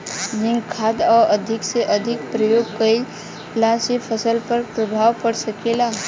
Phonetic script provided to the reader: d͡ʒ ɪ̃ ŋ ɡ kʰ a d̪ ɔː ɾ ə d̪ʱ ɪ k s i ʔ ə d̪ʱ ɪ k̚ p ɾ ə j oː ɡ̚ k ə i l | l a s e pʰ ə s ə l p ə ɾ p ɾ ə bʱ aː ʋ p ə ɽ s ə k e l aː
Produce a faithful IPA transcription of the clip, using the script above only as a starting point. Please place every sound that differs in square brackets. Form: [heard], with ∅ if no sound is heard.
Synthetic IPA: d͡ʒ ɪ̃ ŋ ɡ kʰ a d̪ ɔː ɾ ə d̪ʱ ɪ k s [e] ʔ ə d̪ʱ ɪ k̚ p ɾ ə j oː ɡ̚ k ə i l | l a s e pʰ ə s ə l p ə ɾ p ɾ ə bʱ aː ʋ p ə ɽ s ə k e l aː

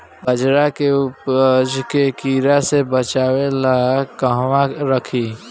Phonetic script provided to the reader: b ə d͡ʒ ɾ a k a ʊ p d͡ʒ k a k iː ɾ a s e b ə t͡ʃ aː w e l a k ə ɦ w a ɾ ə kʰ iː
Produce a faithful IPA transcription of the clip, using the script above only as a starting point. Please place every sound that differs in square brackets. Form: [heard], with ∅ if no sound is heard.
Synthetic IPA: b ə d͡ʒ ɾ a k [e] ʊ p d͡ʒ k [e] k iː ɾ a s e b ə t͡ʃ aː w e l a k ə ɦ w a ɾ ə kʰ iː

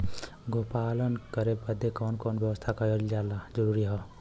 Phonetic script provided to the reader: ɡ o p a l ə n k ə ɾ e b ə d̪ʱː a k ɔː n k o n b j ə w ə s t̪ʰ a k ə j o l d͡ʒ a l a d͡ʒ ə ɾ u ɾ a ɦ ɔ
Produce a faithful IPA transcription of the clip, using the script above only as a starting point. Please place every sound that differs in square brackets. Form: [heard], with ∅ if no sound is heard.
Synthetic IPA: ɡ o p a l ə n k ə ɾ e b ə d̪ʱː [e] k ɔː n k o n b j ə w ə s t̪ʰ a k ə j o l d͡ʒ a l a d͡ʒ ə ɾ u ɾ [i] ɦ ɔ

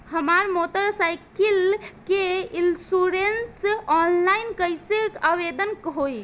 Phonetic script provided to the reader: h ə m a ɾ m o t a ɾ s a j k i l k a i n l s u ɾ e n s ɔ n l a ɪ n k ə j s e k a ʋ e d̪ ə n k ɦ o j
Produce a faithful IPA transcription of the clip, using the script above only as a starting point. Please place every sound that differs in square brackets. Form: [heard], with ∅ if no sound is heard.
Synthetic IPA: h ə m a ɾ m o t [ə] ɾ s a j k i l k [e] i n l s u ɾ e n s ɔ n l a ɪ n k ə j s e k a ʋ e d̪ ə n k ɦ o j

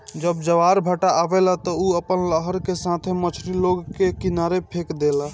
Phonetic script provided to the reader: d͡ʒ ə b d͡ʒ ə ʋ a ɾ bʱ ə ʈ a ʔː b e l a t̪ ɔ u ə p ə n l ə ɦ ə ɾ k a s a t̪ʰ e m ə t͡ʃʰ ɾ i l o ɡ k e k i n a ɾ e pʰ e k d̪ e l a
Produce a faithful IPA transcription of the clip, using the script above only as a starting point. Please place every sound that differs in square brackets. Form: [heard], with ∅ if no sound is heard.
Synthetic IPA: d͡ʒ ə b d͡ʒ ə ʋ a ɾ bʱ ə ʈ a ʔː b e l a t̪ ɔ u ə p ə n l ə ɦ ə ɾ k [e] s a t̪ʰ e m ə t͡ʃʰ ɾ i l o ɡ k e k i n a ɾ e pʰ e k d̪ e l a

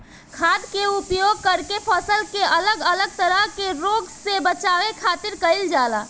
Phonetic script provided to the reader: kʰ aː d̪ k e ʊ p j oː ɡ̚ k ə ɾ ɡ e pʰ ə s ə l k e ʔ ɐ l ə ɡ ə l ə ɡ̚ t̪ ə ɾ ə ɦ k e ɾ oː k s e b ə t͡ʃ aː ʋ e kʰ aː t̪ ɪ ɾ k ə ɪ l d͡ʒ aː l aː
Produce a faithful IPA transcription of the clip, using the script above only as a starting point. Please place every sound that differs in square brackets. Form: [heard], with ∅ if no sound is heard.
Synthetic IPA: kʰ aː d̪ k e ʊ p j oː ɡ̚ k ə ɾ [k] e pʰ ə s ə l k e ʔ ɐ l ə ɡ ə l ə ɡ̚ t̪ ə ɾ ə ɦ k e ɾ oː [ɡ] s e b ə t͡ʃ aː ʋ e kʰ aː t̪ ɪ ɾ k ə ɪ l d͡ʒ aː l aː

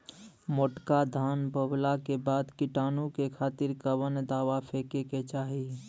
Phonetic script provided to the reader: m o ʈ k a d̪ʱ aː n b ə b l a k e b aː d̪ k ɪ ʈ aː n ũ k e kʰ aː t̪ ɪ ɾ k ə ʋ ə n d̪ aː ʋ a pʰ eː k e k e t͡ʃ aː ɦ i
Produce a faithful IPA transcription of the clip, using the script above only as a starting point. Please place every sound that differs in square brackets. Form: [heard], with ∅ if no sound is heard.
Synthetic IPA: m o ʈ k a d̪ʱ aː n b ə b l a k e b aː d̪ k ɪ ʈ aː n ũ k e kʰ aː t̪ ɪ ɾ k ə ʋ ə n d̪ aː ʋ a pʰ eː k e k e t͡ʃ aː ɦ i

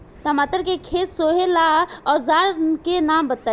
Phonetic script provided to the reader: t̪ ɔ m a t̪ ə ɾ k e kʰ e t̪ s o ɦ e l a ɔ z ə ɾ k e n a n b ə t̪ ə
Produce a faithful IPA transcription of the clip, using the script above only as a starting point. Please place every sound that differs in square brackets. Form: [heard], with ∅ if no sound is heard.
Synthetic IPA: t̪ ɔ m a t̪ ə ɾ k e kʰ e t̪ s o ɦ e l a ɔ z [a] ɾ k e n a [m] b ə t̪ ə

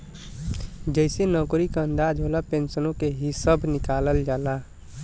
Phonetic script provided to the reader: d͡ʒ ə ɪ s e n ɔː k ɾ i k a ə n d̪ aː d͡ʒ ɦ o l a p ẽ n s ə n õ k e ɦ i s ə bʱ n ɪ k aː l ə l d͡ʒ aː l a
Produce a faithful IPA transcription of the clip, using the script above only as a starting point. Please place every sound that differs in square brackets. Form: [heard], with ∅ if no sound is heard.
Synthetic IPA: d͡ʒ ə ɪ s e n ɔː k ɾ i k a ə n d̪ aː d͡ʒ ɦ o l a p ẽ n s ə n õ k e ɦ i s ə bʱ n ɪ k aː l ə l d͡ʒ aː l a

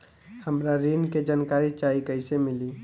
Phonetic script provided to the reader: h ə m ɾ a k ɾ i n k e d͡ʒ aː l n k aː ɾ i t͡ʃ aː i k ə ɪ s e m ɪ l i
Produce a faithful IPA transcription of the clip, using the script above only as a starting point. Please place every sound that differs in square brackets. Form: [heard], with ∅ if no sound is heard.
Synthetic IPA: h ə m ɾ a [∅] ɾ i n k e d͡ʒ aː [∅] n k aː ɾ i t͡ʃ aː i k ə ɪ s e m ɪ l i

